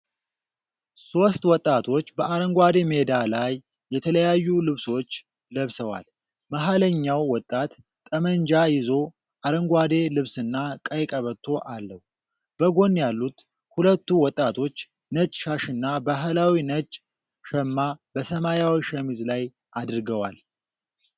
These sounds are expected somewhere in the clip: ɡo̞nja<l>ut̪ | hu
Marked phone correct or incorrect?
incorrect